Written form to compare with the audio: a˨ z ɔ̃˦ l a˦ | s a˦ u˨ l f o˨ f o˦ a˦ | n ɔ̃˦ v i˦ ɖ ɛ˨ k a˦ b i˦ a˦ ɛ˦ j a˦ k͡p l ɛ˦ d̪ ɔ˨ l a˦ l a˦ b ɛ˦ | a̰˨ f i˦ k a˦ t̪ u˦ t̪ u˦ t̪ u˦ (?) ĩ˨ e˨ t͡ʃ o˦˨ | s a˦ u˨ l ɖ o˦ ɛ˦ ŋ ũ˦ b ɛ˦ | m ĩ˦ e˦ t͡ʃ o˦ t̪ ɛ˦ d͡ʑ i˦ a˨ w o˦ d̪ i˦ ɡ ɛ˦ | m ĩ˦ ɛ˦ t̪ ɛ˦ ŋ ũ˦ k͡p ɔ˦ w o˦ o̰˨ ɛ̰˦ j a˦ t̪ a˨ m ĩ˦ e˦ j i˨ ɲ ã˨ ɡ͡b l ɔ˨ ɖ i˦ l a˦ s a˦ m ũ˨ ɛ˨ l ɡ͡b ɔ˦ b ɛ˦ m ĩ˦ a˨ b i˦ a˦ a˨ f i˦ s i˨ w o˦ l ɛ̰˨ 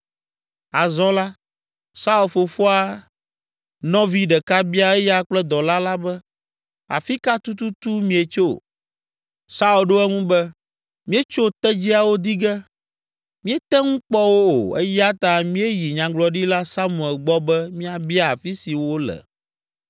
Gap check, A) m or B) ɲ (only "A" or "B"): A